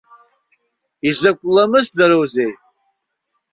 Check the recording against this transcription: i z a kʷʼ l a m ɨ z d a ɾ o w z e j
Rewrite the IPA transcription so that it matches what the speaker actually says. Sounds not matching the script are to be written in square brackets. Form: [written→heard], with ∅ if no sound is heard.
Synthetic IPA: i z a kʷʼ l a m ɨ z d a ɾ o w z e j